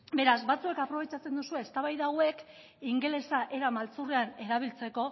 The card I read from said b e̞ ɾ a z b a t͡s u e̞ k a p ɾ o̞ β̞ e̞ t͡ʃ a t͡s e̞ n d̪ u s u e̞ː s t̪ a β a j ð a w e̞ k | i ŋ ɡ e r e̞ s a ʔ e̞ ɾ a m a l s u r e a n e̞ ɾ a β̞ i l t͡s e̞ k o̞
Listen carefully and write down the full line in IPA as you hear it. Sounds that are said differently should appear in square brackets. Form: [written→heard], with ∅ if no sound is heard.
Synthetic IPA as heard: b e̞ ɾ a z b a t͡s u e̞ k a p ɾ o̞ β̞ e̞ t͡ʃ a t͡s e̞ n d̪ u s u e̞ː s t̪ a β a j ð a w e̞ k | i ŋ ɡ e [r→l] e̞ s a ʔ e̞ ɾ a m a l [s→t͡s] u r e a n e̞ ɾ a β̞ i l t͡s e̞ k o̞